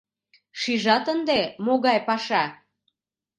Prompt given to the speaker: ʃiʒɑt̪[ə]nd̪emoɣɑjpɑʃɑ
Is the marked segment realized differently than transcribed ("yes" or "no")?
no